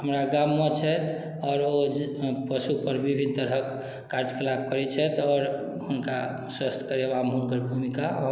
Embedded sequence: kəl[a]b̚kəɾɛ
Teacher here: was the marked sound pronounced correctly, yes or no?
yes